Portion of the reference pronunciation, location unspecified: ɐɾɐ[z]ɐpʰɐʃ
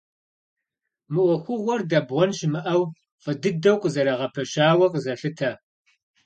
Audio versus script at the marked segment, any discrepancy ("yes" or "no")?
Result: yes